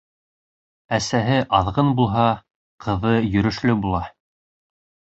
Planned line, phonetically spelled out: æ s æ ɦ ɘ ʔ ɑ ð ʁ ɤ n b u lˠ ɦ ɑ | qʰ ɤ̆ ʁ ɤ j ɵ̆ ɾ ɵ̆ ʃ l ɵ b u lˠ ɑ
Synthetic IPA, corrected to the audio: æ s æ ɦ ɘ ʔ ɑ ð ʁ ɤ n b u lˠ ɦ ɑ | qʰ ɤ̆ ð ɤ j ɵ̆ ɾ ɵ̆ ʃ l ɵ b u lˠ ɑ